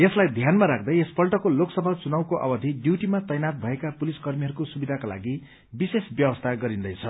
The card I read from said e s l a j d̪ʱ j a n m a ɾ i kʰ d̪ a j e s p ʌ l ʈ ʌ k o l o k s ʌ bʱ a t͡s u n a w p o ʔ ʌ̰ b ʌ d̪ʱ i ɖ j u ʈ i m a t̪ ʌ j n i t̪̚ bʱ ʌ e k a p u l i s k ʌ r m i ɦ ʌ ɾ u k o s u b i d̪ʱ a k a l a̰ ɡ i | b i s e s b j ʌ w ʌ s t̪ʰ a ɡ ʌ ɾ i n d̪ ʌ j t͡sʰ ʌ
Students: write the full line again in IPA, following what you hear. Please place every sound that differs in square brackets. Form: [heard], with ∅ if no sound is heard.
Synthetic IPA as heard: e s l a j d̪ʱ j a n m a ɾ [a] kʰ d̪ [ʌ] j e s p ʌ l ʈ ʌ k o l o k s ʌ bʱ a t͡s u n a w [k] o ʔ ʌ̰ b ʌ d̪ʱ i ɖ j u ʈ i m a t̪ ʌ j n [a] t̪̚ bʱ ʌ e k a p u l i s k ʌ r m i ɦ ʌ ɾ u k o s u b i d̪ʱ a k a l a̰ ɡ i | b i s e s b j ʌ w ʌ s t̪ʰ a ɡ ʌ ɾ i n d̪ ʌ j t͡sʰ ʌ

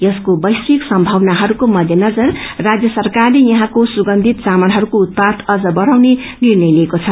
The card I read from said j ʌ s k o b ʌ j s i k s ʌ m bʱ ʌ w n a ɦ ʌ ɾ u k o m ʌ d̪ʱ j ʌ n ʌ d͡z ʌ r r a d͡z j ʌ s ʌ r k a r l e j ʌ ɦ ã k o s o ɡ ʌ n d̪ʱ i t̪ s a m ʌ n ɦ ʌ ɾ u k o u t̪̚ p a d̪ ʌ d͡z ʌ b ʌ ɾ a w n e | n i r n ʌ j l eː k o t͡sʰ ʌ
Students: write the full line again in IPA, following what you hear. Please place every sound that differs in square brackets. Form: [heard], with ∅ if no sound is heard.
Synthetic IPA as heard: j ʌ s k o b ʌ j s i k s ʌ m bʱ ʌ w n a ɦ ʌ ɾ u k o m ʌ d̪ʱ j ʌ n ʌ d͡z ʌ r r a d͡z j ʌ s ʌ r k a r l e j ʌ ɦ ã k o s [u] ɡ ʌ n d̪ʱ i t̪ s a m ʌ n ɦ ʌ ɾ u k o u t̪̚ p a d̪ ʌ d͡z ʌ b ʌ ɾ a w n e | n i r n ʌ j l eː k o t͡sʰ ʌ

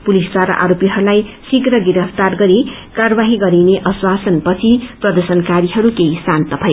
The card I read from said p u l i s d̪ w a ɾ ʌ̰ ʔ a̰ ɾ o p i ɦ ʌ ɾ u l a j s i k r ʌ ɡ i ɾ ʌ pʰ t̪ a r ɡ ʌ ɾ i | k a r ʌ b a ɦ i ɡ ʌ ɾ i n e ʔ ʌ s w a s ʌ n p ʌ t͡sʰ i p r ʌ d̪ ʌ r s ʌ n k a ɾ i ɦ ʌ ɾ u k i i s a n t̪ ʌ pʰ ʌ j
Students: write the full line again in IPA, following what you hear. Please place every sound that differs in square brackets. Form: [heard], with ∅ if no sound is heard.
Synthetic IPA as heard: p u l i s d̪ w a ɾ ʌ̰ ʔ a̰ ɾ o p i ɦ ʌ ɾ u l a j s i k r ʌ ɡ i ɾ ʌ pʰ t̪ a r ɡ ʌ ɾ i | k a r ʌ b a ɦ i ɡ ʌ ɾ i n e ʔ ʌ s w a s ʌ n p ʌ t͡sʰ i p r ʌ d̪ ʌ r s ʌ n k a ɾ i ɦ ʌ ɾ u k [e] i s a n t̪ ʌ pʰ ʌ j

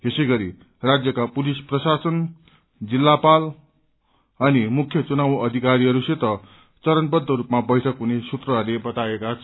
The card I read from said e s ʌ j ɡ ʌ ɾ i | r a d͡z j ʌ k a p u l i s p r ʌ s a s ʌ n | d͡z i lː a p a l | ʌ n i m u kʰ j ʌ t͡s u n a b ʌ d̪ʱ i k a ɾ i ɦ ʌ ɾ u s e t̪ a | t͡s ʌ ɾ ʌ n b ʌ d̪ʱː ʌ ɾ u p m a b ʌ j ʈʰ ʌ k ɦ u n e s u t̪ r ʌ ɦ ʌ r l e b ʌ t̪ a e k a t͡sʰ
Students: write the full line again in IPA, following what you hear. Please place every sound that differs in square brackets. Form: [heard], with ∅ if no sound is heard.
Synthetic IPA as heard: e s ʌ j ɡ ʌ ɾ i | r a d͡z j ʌ k a p u l i s p r ʌ s a s ʌ n | d͡z i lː a p a l | ʌ n i m u kʰ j ʌ t͡s u n a [w] ʌ d̪ʱ i k a ɾ i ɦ ʌ ɾ u s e t̪ [ʌ] | t͡s ʌ ɾ ʌ n b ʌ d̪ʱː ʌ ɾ u p m a b ʌ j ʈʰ ʌ k ɦ u n e s u t̪ r ʌ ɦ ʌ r l e b ʌ t̪ a e k a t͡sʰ

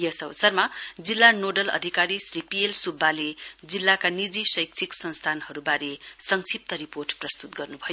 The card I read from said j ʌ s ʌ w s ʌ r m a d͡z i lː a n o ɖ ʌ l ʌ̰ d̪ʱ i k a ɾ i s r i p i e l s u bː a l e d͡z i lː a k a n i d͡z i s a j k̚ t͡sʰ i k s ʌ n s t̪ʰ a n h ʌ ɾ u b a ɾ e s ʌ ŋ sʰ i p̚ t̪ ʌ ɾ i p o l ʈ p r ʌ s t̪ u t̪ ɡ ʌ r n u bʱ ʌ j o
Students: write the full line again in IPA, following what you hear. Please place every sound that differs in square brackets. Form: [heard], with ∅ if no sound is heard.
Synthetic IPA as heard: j ʌ s ʌ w s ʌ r m a d͡z i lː a n o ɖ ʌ l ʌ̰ d̪ʱ i k a ɾ i s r i p i e l s u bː a l e d͡z i lː a k a n i d͡z i s [ʌ] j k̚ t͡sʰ i k s ʌ n s t̪ʰ a n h ʌ ɾ u b a ɾ e s ʌ ŋ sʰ i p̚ t̪ ʌ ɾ i p o [r] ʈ p r ʌ s t̪ u t̪ ɡ ʌ r n u bʱ ʌ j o

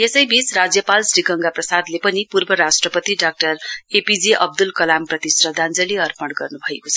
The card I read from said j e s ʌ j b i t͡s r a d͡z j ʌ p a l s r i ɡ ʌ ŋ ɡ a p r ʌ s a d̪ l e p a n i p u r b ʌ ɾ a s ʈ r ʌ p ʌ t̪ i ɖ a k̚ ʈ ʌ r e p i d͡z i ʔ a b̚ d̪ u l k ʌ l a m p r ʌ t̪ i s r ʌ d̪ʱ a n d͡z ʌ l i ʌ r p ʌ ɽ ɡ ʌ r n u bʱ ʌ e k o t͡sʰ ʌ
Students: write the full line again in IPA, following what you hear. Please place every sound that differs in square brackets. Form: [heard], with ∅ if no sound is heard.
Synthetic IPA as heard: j e s ʌ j b i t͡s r a d͡z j ʌ p a l s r i ɡ ʌ ŋ ɡ a p r ʌ s a d̪ l e p [ʌ] n i p u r b ʌ ɾ a s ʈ r ʌ p ʌ t̪ i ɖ a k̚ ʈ ʌ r e p i d͡z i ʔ [ʌ] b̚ d̪ u l k ʌ l a m p r ʌ t̪ i s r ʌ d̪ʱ a n d͡z ʌ l i ʌ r p ʌ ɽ ɡ ʌ r n u bʱ ʌ e k o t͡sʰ ʌ

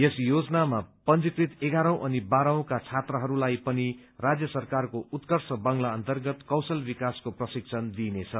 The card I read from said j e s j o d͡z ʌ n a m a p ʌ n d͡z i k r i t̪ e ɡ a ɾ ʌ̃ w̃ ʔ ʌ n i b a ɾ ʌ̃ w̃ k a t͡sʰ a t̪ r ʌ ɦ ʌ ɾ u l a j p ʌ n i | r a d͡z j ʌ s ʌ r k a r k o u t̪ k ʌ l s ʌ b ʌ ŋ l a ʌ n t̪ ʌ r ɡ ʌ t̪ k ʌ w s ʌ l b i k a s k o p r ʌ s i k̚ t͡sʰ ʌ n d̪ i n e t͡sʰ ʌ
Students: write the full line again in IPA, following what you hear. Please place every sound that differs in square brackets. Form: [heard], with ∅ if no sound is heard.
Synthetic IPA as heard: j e s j o d͡z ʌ n a m a p ʌ n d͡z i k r i t̪ e ɡ a ɾ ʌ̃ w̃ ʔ ʌ n i b a ɾ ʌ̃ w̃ k a t͡sʰ a t̪ r ʌ ɦ ʌ ɾ u l a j p ʌ n i | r a d͡z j ʌ s ʌ r k a r k o u t̪ k ʌ [r] s ʌ b ʌ ŋ l a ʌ n t̪ ʌ r ɡ ʌ t̪ k ʌ w s ʌ l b i k a s k o p r ʌ s i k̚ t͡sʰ ʌ n d̪ i n e t͡sʰ ʌ

